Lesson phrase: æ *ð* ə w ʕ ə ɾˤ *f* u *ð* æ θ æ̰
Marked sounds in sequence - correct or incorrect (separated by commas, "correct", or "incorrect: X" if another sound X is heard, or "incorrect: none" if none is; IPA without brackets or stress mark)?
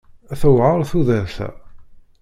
incorrect: θ, incorrect: θ, correct